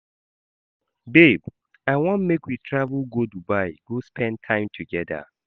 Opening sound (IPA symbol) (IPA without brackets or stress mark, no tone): b